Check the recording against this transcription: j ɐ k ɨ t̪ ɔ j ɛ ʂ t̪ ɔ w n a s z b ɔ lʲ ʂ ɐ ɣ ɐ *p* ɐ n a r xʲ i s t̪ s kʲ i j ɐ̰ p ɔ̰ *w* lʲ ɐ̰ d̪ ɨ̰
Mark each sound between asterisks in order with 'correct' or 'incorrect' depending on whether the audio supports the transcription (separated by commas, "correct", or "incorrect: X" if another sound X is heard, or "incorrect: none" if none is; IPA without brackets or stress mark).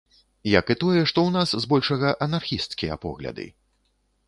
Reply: incorrect: ʔ, incorrect: ɣ